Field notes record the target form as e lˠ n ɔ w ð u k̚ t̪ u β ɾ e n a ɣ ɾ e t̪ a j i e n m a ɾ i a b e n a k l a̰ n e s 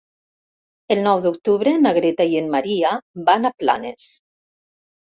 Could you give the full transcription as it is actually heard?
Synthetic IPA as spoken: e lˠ n ɔ w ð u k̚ t̪ u β ɾ e n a ɣ ɾ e t̪ a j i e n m a ɾ i a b a n a p l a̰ n e s